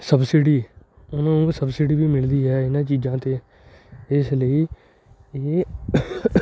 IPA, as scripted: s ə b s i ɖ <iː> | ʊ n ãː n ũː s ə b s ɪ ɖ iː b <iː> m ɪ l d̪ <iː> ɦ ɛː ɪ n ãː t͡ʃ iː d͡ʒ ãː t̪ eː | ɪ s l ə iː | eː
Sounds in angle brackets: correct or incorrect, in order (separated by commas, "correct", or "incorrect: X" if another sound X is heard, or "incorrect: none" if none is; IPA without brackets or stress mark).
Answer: correct, correct, correct